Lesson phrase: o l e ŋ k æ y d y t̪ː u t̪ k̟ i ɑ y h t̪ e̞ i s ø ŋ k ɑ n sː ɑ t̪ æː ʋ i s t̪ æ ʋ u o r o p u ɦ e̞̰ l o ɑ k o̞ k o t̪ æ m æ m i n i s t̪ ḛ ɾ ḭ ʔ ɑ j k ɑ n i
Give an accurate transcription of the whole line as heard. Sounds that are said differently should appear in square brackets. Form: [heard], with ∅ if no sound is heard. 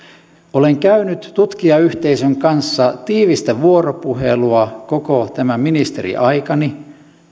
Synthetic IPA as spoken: o l e ŋ k æ y [n] y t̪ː u t̪ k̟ i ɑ y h t̪ e̞ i s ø ŋ k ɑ n sː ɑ t̪ [iː] ʋ i s t̪ æ ʋ u o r o p u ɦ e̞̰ l [u] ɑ k o̞ k o t̪ æ m æ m i n i s t̪ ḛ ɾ ḭ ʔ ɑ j k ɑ n i